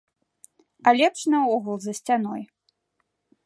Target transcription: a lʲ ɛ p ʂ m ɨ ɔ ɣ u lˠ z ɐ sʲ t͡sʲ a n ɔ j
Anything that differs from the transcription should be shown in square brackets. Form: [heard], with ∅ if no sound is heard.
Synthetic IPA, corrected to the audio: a lʲ ɛ p ʂ [n] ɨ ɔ ɣ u lˠ z ɐ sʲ t͡sʲ a n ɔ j